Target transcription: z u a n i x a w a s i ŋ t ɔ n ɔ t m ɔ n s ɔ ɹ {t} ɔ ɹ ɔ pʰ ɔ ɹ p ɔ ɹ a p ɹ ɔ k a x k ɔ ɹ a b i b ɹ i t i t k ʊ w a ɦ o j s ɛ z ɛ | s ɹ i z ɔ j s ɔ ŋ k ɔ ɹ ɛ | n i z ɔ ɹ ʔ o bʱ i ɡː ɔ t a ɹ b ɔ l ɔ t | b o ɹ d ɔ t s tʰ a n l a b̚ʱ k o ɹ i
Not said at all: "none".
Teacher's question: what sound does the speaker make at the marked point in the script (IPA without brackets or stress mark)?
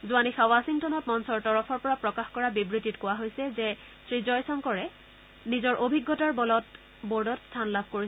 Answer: t